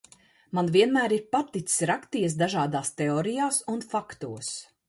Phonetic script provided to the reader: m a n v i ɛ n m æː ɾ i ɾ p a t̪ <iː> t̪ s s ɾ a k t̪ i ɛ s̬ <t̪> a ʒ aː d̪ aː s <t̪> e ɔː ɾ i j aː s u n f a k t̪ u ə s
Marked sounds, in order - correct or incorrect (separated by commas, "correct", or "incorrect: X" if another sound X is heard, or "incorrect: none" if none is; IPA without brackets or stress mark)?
incorrect: i, incorrect: d̪, correct